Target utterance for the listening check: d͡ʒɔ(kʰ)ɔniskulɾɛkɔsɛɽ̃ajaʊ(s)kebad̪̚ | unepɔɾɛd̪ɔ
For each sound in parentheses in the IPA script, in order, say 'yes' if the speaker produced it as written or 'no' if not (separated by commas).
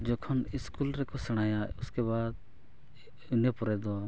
yes, yes